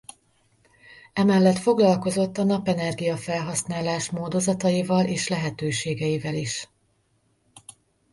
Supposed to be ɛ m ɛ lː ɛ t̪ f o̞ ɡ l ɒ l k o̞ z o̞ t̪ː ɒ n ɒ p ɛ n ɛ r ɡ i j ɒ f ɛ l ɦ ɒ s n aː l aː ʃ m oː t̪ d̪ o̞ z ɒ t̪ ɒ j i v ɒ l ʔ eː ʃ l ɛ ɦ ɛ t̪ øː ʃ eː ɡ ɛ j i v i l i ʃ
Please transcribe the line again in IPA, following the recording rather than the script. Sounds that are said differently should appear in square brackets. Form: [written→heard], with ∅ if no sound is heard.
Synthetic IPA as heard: ɛ m ɛ lː ɛ t̪ f o̞ ɡ l ɒ l k o̞ z o̞ t̪ː ɒ n ɒ p ɛ n ɛ r ɡ i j ɒ f ɛ l ɦ ɒ s n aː l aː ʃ m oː [t̪→∅] d̪ o̞ z ɒ t̪ ɒ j i v ɒ l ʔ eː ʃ l ɛ ɦ ɛ t̪ øː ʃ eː ɡ ɛ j i v [i→ɛ] l i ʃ